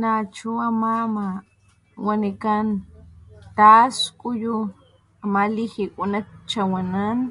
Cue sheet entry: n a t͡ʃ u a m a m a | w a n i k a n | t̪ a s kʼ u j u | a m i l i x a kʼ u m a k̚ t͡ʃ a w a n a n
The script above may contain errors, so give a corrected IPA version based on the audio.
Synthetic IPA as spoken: n a t͡ʃ u a m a m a | w a n i k a n | t̪ a s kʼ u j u | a m a l i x i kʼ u n a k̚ t͡ʃ a w a n a n

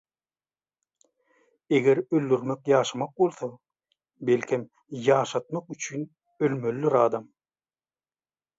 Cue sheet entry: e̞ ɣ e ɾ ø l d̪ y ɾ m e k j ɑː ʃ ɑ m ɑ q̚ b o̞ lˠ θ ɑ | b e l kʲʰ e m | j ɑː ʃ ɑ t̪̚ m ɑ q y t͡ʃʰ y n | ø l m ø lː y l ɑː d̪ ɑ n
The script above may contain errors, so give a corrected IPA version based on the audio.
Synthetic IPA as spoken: e̞ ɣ e ɾ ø l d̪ y ɾ m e k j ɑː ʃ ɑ m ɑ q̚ b o̞ lˠ θ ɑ | b e l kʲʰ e m | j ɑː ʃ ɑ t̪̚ m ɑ q y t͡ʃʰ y n | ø l m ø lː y ɾ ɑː d̪ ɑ m

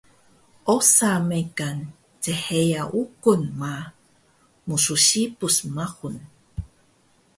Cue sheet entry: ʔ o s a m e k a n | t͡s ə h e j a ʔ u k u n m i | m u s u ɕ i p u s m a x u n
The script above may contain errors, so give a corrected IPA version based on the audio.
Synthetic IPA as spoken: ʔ o s a m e k a n | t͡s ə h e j a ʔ u k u n m a | m u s u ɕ i p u s m a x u n

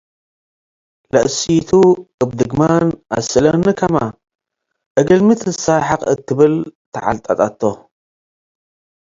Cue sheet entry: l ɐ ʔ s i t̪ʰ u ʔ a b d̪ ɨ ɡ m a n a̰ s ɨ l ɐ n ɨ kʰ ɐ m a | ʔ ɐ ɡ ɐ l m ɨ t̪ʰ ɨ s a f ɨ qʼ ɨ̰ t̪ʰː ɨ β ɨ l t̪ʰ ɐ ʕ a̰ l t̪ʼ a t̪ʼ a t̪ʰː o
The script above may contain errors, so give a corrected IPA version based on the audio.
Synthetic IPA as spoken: l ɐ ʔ s i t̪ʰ u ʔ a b d̪ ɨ ɡ m a n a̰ s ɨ l ɐ n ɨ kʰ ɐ m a | ʔ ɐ ɡ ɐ l m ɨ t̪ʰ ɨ s a ħ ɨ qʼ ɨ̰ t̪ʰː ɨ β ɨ l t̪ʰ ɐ ʕ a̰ l t̪ʼ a t̪ʼ a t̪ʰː o

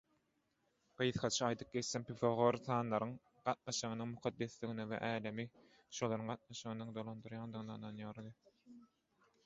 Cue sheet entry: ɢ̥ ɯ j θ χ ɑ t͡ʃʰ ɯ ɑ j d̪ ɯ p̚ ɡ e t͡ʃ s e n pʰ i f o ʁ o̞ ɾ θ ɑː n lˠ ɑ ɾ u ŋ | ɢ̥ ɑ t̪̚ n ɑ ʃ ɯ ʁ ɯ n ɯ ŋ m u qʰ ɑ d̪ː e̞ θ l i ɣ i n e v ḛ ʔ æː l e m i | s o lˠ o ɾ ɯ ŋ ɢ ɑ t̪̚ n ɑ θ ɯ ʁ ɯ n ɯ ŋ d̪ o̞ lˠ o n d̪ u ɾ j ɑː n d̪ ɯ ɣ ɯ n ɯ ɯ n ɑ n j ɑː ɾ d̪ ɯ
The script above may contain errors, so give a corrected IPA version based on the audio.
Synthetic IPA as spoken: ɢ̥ ɯ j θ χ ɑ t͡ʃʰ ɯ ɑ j d̪ ɯ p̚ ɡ e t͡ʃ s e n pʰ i f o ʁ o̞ ɾ θ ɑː n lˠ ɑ ɾ ɯ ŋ | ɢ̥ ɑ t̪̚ n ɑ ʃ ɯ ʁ ɯ n ɯ ŋ m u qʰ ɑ d̪ː e̞ θ l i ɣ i n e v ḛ ʔ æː l e m i | ʃ o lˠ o ɾ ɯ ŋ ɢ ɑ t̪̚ n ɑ ʃ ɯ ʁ ɯ n ɯ ŋ d̪ o̞ lˠ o n d̪ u ɾ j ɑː n d̪ ɯ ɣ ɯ n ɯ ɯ n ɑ n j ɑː ɾ d̪ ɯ

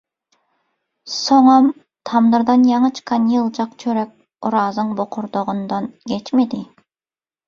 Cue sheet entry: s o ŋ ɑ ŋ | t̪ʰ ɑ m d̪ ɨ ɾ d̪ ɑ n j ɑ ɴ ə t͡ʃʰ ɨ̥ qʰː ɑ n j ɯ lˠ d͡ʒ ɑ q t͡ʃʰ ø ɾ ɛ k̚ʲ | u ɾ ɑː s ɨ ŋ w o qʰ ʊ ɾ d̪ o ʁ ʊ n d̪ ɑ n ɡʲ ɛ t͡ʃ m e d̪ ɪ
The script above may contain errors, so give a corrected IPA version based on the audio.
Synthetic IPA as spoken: s o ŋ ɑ m | t̪ʰ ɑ m d̪ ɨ ɾ d̪ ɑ n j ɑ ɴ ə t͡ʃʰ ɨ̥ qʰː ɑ n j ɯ lˠ d͡ʒ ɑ q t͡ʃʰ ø ɾ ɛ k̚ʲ | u ɾ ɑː z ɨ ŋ b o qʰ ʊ ɾ d̪ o ʁ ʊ n d̪ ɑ n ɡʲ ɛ t͡ʃ m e d̪ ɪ

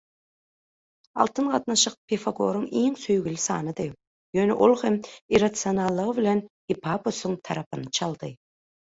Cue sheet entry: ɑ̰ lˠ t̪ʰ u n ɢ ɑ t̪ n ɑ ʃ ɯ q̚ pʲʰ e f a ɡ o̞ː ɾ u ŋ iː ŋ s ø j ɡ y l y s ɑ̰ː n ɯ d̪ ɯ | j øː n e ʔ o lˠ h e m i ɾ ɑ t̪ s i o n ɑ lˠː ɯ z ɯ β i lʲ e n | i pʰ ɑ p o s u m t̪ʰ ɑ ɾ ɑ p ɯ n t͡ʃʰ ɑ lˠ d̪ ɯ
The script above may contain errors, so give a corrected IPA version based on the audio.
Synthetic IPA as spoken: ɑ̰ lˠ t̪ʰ ɯ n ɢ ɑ t̪ n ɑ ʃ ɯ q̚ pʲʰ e f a ɡ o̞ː ɾ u ŋ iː ŋ s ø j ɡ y l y s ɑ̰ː n ɯ d̪ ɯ | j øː n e ʔ o lˠ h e m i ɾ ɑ t̪ s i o n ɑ lˠː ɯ ʁ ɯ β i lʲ e n | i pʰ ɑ p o s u ŋ t̪ʰ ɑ ɾ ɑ p ɯ n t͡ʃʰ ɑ lˠ d̪ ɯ

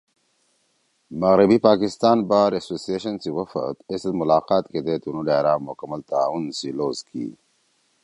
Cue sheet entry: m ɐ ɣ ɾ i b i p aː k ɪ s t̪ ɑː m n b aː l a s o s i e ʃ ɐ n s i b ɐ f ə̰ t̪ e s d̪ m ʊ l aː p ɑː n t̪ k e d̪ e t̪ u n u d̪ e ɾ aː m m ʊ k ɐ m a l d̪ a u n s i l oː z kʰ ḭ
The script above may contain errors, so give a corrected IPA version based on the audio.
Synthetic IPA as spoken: m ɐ ɣ ɾ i b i p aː k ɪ s t̪ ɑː n b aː ɾ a s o s i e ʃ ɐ n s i w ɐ f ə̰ t̪ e s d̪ m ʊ l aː q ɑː t̪ k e d̪ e t̪ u n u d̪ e ɾ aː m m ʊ k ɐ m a l t̪ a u n s i l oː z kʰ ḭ

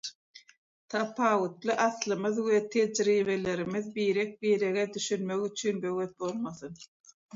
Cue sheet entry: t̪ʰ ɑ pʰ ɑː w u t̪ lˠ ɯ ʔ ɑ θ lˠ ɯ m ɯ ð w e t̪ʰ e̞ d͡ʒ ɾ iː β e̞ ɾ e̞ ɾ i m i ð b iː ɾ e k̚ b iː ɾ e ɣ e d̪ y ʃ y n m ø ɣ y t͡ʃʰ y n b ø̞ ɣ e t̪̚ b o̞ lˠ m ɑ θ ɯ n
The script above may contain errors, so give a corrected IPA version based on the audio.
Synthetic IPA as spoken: t̪ʰ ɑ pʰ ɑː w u t̪ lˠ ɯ ʔ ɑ θ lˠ ɯ m ɯ ð w e t̪ʰ e̞ d͡ʒ ɾ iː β e̞ l e̞ ɾ i m i ð b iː ɾ e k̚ b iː ɾ e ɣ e d̪ y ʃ y n m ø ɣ y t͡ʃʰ y n b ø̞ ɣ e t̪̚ b o̞ lˠ m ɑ θ ɯ n

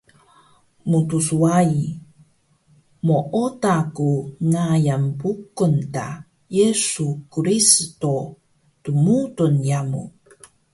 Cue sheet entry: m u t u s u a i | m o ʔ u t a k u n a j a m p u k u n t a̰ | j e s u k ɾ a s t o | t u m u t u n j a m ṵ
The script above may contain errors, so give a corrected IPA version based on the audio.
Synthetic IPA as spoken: m u t u s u a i | m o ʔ o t a k u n a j a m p u k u n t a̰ | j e s u k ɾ i s t o | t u m u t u n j a m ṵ

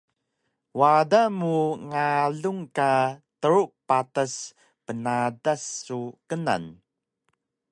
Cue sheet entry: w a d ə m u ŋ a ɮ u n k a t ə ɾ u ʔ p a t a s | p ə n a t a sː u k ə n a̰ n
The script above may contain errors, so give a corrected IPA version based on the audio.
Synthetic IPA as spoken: w a d a m u ŋ a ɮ u ŋ k a t ə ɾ u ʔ p a t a s | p ə n a d a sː u k ə n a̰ n

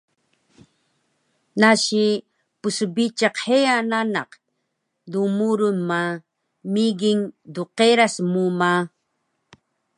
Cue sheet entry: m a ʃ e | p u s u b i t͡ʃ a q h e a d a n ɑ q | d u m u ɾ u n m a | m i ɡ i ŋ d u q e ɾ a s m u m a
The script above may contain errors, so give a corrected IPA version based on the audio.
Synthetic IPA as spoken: n a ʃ i | p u s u b i t͡ʃ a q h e a n a n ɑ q | d u m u ɾ u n m a | m i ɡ i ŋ d u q e ɾ a s m u m a

